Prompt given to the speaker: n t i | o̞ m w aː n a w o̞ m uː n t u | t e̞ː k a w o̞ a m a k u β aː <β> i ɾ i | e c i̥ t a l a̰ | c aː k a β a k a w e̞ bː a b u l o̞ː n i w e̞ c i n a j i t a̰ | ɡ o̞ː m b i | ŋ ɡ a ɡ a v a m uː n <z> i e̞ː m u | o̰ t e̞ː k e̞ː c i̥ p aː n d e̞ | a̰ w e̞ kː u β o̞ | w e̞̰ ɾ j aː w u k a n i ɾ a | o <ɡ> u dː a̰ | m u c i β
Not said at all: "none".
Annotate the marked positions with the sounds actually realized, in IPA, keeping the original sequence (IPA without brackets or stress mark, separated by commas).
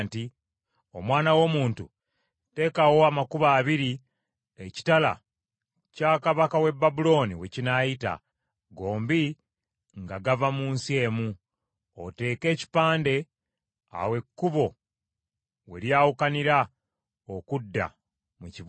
β, s, k